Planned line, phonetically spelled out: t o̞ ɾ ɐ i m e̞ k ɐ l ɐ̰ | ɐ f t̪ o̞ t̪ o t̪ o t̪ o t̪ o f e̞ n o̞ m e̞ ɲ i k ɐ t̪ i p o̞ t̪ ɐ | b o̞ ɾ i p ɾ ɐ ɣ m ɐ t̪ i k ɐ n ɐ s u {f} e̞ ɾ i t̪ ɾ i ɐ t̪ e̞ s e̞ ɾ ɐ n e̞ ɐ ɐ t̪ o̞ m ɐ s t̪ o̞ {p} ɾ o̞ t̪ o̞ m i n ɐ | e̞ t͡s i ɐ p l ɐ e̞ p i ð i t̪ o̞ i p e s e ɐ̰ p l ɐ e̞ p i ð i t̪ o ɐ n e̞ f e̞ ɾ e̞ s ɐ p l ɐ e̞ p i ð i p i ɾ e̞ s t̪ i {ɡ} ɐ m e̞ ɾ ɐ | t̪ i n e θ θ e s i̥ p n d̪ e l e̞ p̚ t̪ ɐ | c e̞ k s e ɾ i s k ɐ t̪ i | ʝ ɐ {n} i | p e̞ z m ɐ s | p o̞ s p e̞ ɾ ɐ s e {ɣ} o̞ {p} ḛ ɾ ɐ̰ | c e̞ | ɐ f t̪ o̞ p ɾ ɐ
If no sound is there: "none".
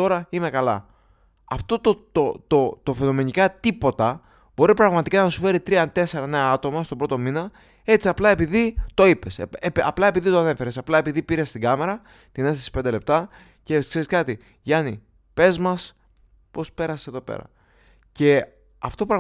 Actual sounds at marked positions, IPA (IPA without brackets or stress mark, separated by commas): f, b, ɡ, n, ð, p